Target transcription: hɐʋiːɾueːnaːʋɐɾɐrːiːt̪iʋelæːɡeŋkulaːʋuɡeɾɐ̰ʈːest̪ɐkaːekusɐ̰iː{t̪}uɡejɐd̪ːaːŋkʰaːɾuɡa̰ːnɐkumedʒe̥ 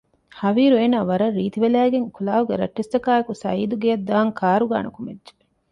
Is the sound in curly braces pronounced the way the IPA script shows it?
no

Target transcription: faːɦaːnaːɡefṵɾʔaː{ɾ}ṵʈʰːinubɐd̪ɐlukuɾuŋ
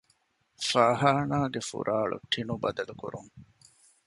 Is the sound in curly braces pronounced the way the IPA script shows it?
no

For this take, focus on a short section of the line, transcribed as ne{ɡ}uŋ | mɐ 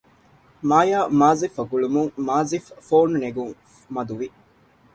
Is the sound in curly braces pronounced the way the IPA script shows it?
yes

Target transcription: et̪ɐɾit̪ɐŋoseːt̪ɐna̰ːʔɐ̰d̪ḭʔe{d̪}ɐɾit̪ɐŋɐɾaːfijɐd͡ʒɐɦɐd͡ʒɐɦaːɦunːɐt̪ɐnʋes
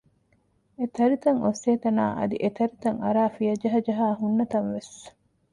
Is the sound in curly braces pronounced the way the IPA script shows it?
no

